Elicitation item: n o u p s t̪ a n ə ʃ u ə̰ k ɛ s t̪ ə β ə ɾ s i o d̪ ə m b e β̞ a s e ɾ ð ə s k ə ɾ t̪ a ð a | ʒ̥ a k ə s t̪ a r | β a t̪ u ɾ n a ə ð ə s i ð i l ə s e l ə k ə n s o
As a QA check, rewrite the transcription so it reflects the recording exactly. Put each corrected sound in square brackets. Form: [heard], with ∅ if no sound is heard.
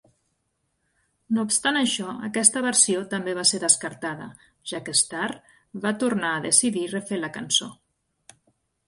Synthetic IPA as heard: n o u p s t̪ a n ə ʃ [ɔ] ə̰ k ɛ s t̪ ə β ə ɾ s i o [t̪] ə m b e β̞ a s e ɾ ð ə s k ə ɾ t̪ a ð [ə] | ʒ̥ a k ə s t̪ a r | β a t̪ u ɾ n a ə ð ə s i ð i [r] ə [f] e l ə k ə n s o